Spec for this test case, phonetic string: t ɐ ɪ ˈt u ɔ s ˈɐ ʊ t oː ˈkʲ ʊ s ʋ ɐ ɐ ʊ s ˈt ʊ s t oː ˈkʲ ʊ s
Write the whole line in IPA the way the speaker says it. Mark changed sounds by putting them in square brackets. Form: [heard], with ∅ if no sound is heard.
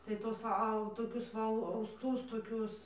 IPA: t ɐ ɪ ˈt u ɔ s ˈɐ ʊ t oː ˈkʲ ʊ s ʋ ɐ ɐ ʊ s ˈt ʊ s t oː ˈkʲ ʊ s